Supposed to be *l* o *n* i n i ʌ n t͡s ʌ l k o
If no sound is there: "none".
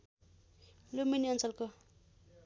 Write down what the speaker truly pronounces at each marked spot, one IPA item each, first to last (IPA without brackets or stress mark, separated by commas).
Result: l, m